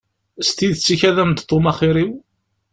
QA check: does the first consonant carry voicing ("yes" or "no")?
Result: no